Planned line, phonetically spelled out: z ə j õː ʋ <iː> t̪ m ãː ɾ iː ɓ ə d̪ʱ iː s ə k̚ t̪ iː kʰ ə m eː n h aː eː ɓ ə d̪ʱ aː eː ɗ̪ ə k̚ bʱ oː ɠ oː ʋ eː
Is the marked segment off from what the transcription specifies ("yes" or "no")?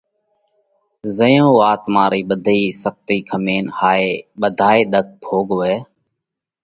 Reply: yes